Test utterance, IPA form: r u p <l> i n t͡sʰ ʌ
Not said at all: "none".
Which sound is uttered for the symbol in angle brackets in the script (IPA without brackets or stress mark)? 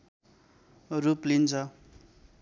l